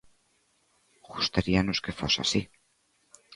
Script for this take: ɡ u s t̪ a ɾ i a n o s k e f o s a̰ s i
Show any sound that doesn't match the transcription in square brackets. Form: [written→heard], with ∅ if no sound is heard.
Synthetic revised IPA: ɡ u s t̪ a ɾ i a n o s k e f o s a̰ s i